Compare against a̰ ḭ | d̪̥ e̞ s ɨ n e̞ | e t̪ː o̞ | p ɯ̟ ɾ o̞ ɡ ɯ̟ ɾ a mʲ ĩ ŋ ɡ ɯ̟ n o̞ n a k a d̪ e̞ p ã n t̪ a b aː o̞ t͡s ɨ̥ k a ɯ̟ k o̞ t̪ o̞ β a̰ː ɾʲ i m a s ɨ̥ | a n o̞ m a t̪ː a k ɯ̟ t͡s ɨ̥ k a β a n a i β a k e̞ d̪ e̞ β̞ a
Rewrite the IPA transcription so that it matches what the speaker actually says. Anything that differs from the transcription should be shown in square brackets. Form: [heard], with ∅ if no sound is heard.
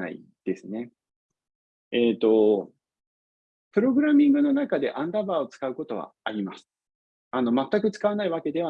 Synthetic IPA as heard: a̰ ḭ | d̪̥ e̞ s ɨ n e̞ | e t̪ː o̞ | p ɯ̟ ɾ o̞ ɡ ɯ̟ ɾ a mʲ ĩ ŋ ɡ ɯ̟ n o̞ n a k a d̪ e̞ [ʔ] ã n [d̪] a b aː o̞ t͡s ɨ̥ k a ɯ̟ k o̞ t̪ o̞ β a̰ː ɾʲ i m a s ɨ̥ | a n o̞ m a t̪ː a k ɯ̟ t͡s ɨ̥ k a β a n a i β a k e̞ d̪ e̞ β̞ a